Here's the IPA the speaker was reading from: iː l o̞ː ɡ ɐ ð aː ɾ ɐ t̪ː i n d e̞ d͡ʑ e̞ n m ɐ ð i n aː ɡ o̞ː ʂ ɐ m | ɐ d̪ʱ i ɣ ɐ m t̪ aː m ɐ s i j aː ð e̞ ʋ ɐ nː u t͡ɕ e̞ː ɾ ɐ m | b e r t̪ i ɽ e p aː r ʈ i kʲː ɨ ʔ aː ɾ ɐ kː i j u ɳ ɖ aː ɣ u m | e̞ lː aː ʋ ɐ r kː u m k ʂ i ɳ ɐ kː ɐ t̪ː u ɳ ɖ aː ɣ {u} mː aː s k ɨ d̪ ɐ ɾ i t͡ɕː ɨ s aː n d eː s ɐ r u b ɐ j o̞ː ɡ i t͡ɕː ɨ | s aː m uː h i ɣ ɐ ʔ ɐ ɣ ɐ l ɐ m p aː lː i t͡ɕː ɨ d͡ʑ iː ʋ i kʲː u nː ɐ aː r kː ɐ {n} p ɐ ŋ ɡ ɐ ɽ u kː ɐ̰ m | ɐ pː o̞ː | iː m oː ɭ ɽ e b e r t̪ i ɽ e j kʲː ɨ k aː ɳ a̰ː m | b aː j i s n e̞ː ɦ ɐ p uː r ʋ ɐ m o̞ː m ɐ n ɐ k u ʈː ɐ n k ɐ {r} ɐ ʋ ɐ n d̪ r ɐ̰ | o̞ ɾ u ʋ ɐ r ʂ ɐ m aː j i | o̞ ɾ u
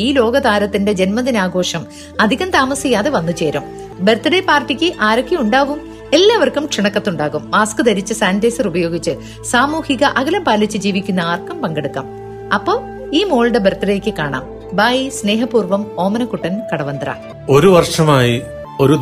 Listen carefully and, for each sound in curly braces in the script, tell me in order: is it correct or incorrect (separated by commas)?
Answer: correct, incorrect, incorrect